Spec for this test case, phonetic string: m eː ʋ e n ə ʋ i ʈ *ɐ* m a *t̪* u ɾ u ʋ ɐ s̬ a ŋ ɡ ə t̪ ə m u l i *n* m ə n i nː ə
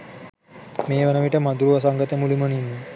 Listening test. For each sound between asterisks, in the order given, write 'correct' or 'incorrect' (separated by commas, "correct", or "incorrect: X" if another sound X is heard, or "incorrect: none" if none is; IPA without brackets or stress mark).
incorrect: ə, incorrect: d̪, incorrect: none